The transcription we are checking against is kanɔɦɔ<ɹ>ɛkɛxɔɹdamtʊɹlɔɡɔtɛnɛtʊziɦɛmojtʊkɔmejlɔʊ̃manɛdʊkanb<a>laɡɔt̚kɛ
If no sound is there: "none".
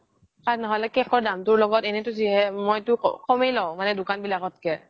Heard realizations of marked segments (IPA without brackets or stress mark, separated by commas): l, i